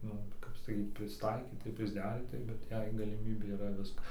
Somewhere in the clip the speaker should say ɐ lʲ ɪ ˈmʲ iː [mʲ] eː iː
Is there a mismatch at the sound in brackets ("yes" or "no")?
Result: yes